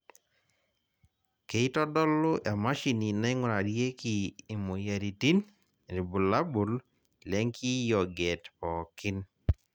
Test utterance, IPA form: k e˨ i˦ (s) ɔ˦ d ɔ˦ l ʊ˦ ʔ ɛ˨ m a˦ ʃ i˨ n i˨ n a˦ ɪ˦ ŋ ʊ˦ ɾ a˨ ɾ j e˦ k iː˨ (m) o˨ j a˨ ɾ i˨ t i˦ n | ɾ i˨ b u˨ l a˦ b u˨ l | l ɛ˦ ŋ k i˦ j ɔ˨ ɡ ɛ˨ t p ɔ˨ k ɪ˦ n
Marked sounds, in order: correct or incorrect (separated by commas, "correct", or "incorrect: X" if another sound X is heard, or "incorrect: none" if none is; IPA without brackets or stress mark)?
incorrect: t, correct